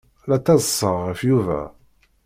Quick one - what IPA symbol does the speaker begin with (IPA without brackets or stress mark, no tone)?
l